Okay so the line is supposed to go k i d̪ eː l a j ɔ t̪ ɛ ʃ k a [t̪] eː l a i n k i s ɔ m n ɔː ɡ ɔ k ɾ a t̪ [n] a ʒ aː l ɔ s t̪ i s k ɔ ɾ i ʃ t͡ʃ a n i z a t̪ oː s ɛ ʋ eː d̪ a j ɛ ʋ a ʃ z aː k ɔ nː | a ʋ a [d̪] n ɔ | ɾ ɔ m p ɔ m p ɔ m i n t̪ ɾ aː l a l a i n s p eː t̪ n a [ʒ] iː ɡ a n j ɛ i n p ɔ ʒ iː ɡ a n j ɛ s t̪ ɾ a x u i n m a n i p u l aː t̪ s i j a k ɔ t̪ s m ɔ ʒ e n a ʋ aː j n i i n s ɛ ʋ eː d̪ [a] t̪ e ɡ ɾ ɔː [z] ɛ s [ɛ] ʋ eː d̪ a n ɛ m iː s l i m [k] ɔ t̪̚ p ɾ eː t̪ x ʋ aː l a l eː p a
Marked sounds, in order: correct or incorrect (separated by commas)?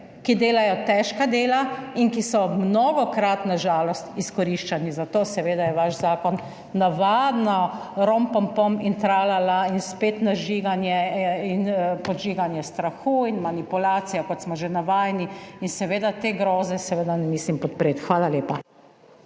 incorrect, correct, correct, correct, correct, correct, correct, incorrect